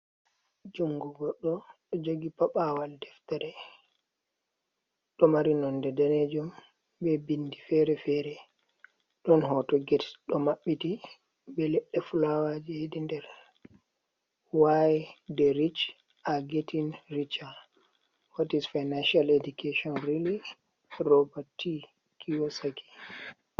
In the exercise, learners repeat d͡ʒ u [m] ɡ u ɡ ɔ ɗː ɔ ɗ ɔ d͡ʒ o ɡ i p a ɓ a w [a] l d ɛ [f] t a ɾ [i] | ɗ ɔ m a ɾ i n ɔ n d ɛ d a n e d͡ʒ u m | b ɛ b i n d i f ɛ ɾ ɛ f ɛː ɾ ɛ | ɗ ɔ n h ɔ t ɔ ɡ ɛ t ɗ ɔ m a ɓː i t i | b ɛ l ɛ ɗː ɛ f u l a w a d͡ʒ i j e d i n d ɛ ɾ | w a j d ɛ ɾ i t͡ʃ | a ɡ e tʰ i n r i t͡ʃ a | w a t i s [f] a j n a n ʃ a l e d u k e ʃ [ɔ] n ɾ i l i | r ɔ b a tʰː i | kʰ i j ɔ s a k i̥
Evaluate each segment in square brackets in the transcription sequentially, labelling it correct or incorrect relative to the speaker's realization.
incorrect, correct, correct, incorrect, correct, correct

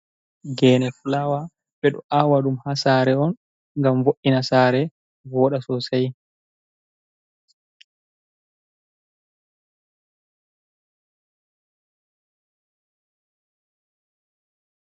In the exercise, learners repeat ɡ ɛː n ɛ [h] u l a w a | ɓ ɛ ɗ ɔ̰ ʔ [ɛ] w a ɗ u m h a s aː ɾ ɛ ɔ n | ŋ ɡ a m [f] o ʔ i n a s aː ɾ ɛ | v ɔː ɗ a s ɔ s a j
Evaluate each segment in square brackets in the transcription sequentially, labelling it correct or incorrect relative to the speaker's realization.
incorrect, incorrect, incorrect

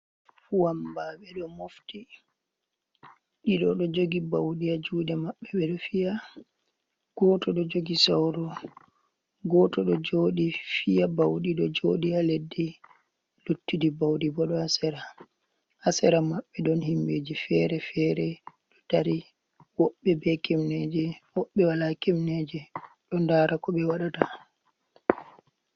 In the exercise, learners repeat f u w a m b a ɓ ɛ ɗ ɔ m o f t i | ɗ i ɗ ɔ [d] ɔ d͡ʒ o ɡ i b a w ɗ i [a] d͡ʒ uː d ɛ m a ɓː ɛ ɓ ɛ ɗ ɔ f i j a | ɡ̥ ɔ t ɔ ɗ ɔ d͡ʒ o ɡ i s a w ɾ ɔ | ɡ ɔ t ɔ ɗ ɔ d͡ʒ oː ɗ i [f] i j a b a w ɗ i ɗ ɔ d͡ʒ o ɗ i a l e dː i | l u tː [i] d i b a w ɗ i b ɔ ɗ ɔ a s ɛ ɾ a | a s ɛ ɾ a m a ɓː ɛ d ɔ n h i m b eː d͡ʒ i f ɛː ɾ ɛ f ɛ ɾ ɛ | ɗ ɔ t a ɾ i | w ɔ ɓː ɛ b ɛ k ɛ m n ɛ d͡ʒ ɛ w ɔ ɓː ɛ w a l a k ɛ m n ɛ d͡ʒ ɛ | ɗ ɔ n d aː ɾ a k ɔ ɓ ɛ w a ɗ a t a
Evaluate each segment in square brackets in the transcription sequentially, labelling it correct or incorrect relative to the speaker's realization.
incorrect, correct, correct, correct

